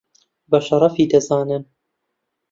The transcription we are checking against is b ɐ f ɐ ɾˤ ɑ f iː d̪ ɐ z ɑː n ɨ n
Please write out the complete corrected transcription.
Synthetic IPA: b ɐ ʃ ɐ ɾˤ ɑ f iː d̪ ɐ z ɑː n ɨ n